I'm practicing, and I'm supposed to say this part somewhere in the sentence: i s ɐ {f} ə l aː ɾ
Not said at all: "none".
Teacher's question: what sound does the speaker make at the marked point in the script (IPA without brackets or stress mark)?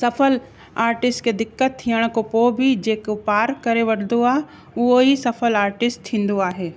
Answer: f